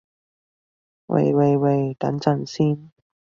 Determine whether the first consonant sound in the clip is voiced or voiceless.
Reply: voiced